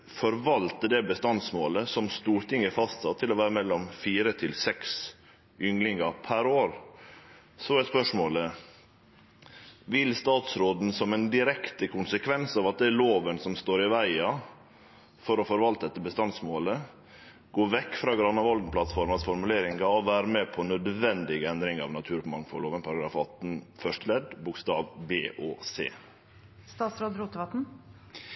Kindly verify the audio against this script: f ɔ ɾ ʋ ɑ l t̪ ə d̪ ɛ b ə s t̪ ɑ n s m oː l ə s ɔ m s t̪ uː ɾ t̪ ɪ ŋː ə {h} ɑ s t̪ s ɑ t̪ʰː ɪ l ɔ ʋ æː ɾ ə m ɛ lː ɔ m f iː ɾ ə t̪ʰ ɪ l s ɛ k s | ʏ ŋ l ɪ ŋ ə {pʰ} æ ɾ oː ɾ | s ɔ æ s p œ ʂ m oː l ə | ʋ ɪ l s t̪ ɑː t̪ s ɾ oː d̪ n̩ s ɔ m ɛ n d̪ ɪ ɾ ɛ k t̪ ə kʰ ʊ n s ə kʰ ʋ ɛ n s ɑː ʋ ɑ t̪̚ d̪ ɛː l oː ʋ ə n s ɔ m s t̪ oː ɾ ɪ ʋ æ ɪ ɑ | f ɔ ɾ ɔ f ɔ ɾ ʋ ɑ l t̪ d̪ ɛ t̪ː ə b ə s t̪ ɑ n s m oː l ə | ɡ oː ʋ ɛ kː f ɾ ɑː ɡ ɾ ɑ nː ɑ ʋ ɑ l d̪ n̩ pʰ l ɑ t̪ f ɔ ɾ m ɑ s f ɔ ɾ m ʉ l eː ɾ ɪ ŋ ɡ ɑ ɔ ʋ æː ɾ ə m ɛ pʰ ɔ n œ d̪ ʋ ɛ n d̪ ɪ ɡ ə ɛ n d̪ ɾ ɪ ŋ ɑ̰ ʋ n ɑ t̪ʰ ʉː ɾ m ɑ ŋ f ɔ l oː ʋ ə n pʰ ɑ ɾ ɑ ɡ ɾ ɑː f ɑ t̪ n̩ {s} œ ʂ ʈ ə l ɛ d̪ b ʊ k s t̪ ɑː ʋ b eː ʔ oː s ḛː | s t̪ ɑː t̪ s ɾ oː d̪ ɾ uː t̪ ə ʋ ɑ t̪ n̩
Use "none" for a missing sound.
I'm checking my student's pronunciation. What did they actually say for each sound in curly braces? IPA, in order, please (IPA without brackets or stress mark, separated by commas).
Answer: f, pʰ, f